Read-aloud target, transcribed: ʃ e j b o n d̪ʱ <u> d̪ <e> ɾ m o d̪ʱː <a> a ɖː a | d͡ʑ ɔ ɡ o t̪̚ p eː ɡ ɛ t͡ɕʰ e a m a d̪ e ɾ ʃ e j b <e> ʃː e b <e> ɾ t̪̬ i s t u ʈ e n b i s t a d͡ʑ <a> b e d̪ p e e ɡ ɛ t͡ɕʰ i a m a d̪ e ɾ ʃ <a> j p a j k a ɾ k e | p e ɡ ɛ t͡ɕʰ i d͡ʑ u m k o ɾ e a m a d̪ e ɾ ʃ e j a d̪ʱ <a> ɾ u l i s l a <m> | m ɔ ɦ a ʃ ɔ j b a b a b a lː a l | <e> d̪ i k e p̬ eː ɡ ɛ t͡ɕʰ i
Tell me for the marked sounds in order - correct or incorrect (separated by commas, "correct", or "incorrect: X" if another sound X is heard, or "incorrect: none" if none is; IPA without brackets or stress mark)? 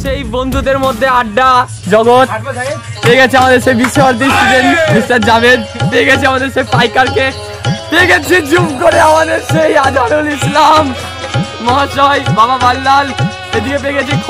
correct, correct, incorrect: e, incorrect: i, incorrect: a, correct, incorrect: e, correct, correct, correct